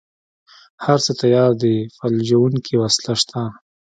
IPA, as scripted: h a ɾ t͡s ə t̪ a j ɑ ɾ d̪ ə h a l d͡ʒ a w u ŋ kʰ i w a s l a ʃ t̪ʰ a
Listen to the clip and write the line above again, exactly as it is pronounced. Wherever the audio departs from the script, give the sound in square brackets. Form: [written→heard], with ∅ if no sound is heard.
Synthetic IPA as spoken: h a ɾ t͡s ə t̪ a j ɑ ɾ d̪ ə [h→f] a l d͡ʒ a w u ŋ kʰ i w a s l a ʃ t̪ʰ a